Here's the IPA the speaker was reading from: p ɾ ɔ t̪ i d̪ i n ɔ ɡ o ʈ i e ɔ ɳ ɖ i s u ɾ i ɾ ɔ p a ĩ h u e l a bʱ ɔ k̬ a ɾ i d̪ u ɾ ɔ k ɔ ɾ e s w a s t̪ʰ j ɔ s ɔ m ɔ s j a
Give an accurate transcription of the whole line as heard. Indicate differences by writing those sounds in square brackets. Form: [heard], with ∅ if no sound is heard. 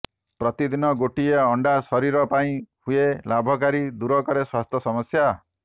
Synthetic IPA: p ɾ ɔ t̪ i d̪ i n ɔ ɡ o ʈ i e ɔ ɳ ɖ [a] s [ɔ] ɾ i ɾ ɔ p a ĩ h u e l a bʱ ɔ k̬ a ɾ i d̪ u ɾ ɔ k ɔ ɾ e s w a s t̪ʰ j ɔ s ɔ m ɔ s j a